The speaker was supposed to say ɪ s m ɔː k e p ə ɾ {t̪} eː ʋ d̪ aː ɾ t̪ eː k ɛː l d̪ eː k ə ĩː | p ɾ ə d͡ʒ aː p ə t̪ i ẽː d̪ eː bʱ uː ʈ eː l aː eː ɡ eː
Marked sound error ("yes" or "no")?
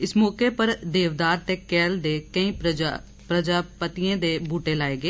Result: yes